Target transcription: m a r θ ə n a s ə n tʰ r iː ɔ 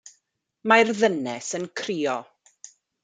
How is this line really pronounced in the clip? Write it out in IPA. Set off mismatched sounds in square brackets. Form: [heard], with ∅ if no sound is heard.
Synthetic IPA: m a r [ð] ə n [ɛ] s ə n [kʰ] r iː ɔ